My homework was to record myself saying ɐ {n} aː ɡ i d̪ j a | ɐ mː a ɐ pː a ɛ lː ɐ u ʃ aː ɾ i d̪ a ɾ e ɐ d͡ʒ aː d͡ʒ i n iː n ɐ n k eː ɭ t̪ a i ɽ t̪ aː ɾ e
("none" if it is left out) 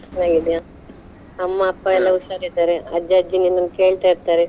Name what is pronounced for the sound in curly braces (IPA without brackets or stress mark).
n